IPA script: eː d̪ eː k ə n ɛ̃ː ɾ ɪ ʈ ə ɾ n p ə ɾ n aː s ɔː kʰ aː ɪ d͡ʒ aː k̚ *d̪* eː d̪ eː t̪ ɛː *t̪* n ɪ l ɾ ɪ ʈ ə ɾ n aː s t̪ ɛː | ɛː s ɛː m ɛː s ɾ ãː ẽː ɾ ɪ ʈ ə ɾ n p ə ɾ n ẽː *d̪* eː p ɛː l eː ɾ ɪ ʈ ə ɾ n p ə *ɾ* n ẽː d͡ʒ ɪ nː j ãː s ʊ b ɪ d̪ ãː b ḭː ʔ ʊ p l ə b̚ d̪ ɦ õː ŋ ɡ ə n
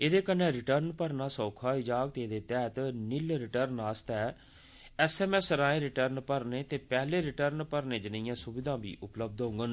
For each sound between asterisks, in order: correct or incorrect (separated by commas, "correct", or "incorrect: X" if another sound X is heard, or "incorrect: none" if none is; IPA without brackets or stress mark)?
incorrect: t̪, correct, incorrect: t̪, correct